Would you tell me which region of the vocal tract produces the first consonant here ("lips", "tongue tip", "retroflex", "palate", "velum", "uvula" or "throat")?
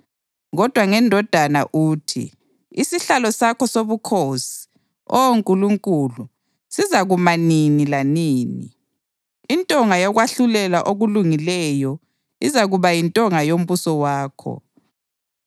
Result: velum